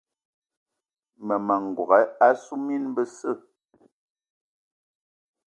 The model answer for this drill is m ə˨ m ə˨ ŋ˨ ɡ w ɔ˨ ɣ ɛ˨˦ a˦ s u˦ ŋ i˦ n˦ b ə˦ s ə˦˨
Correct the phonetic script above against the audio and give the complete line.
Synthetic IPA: m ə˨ m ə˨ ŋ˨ ɡ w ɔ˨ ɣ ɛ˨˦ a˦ s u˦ m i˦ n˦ b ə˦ s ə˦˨